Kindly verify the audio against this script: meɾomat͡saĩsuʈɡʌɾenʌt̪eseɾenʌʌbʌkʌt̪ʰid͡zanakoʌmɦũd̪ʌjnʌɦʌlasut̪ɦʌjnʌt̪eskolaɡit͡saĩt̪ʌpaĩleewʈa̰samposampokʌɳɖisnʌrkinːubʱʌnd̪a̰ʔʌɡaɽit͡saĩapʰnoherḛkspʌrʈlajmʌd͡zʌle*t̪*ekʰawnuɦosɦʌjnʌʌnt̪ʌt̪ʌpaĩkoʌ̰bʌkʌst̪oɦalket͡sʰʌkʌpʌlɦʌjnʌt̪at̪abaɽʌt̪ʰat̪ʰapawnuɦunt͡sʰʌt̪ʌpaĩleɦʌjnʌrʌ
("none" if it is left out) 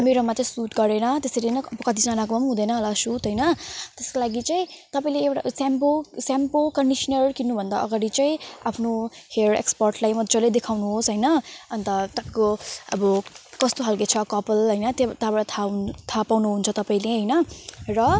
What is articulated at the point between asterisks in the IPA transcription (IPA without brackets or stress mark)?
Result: d̪